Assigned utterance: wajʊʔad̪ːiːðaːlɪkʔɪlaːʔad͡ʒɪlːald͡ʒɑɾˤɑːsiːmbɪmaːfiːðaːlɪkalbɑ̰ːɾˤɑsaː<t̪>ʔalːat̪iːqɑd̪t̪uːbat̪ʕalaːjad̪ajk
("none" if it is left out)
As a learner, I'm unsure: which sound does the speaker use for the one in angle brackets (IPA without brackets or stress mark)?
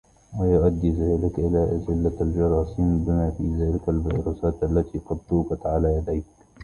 t̪